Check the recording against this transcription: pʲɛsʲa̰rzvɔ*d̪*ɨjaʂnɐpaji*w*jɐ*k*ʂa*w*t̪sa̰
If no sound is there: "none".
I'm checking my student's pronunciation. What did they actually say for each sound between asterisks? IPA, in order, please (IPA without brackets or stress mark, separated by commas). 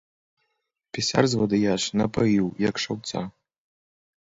d̪, w, k, w